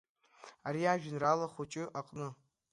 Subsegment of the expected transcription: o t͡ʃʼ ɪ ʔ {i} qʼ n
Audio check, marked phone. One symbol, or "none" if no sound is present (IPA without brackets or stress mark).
a